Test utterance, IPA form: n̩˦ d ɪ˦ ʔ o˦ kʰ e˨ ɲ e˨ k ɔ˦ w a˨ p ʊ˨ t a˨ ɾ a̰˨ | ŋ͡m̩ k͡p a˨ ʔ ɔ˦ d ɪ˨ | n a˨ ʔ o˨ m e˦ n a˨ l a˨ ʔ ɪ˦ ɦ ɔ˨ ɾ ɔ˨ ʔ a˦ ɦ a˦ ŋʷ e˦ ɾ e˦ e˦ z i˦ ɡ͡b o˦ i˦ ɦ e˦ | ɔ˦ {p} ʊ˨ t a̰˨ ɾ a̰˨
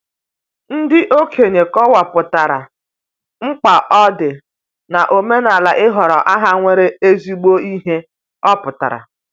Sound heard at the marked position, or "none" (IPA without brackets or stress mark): p